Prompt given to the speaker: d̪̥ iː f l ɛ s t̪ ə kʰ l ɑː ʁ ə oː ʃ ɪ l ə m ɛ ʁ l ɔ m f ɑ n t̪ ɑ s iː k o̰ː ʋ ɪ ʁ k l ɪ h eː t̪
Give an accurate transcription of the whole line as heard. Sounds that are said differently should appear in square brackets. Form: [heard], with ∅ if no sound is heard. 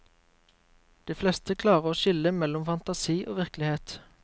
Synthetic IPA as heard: d̪̥ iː f l ɛ s t̪ ə kʰ l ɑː ʁ ə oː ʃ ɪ l ə m ɛ [∅] l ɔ m f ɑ n t̪ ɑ s iː [ʔ] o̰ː ʋ ɪ ʁ k l ɪ h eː t̪

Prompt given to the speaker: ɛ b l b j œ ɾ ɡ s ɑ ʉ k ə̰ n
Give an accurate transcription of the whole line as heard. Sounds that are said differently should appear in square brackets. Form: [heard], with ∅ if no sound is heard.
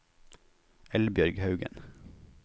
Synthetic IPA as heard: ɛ [∅] l b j œ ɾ ɡ [h] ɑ ʉ [ɡ] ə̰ n

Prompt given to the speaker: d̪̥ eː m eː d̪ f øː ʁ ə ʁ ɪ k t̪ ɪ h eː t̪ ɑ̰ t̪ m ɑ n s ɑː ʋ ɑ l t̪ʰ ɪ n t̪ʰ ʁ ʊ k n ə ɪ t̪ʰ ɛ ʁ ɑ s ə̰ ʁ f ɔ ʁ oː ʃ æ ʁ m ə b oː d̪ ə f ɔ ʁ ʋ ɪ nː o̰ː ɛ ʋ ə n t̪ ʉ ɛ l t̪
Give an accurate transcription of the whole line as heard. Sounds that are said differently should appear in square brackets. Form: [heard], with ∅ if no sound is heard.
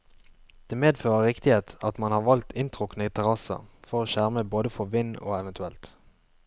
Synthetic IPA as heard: d̪̥ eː m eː d̪ f øː ʁ ə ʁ ɪ k t̪ ɪ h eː t̪ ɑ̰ t̪ m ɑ n [h] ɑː ʋ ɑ l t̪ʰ ɪ n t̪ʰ ʁ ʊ k n ə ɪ t̪ʰ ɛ ʁ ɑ s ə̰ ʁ f ɔ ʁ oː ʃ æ ʁ m ə b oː d̪ ə f ɔ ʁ ʋ ɪ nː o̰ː ɛ ʋ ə n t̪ ʉ ɛ l t̪

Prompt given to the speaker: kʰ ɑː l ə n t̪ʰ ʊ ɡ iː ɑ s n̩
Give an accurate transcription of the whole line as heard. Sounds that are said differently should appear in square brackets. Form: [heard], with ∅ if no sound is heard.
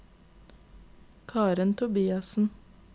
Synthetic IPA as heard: kʰ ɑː [ɾ] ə n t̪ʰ ʊ [b] iː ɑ s n̩

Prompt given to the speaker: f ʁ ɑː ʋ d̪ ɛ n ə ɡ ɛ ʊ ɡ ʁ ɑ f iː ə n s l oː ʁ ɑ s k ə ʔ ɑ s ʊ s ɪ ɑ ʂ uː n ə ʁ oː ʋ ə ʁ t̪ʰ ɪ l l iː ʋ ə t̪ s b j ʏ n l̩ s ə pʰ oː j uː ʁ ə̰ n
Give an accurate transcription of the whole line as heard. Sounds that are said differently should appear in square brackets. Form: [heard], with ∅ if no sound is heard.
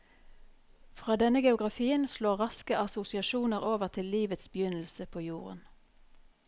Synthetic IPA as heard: f ʁ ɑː [∅] d̪ ɛ n ə ɡ ɛ ʊ ɡ ʁ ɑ f iː ə n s l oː ʁ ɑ s k ə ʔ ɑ s ʊ s ɪ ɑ [ʃ] uː n ə ʁ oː ʋ ə ʁ t̪ʰ ɪ l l iː ʋ ə t̪ s b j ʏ n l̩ s ə pʰ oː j uː ʁ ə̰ n

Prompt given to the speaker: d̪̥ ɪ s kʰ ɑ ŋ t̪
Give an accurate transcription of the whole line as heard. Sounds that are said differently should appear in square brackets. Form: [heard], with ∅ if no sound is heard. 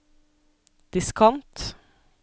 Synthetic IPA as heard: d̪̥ ɪ s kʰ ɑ [n] t̪

